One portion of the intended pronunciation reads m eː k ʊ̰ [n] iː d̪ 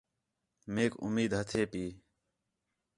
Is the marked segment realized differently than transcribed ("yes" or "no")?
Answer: yes